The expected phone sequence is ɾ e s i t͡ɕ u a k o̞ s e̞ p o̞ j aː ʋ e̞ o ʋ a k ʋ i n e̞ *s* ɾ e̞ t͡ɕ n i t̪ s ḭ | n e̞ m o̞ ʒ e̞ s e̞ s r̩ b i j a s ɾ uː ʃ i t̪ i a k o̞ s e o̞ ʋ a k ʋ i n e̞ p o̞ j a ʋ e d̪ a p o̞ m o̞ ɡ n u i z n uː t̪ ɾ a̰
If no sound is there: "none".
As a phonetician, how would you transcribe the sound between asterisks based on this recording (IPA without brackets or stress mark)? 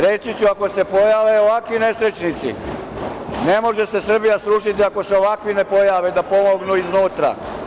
s